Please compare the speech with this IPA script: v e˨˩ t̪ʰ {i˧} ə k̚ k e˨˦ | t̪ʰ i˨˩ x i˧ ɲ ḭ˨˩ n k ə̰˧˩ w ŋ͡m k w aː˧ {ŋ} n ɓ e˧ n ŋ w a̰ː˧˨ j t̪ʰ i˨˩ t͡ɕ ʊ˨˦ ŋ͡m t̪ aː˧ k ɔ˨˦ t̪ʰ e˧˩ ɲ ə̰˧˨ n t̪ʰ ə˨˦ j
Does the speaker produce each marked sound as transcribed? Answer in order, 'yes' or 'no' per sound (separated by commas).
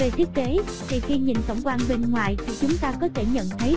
no, no